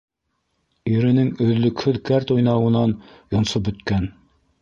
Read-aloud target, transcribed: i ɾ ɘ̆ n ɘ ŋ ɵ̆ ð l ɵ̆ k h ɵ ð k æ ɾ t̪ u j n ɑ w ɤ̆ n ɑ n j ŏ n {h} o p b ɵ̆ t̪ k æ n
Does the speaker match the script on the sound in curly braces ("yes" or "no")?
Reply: no